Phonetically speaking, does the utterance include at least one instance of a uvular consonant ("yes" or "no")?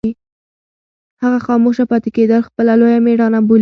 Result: no